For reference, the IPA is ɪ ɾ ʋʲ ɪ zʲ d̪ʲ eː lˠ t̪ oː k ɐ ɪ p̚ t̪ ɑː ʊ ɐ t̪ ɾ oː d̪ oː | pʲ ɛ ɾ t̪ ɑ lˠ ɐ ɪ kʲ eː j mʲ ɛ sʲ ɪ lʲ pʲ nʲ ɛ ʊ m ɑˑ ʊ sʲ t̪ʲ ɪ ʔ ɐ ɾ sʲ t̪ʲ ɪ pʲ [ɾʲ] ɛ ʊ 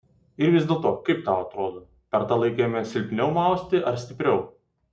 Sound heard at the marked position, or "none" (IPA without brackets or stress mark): ɾʲ